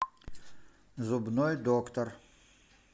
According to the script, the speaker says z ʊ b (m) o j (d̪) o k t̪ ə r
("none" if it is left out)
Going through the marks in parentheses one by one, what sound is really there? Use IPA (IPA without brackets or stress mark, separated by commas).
n, d̪